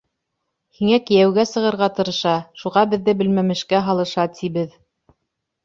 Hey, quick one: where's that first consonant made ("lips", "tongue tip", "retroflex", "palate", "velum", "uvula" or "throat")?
throat